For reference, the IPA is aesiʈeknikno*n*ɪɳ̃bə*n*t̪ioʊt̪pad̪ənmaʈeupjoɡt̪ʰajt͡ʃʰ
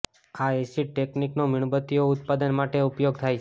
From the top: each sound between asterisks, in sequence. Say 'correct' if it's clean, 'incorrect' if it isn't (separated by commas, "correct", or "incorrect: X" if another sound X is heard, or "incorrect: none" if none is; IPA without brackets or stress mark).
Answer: incorrect: m, incorrect: none